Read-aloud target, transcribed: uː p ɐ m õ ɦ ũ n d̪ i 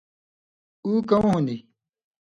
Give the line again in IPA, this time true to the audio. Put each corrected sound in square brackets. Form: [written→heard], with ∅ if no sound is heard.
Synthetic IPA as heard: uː [p→k] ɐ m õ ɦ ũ n d̪ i